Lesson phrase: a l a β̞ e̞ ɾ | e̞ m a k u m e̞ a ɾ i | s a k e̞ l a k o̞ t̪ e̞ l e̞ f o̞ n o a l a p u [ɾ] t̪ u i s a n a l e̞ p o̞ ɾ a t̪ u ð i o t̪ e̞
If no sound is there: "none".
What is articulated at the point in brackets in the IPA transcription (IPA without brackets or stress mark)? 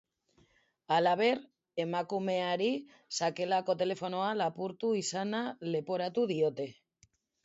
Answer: ɾ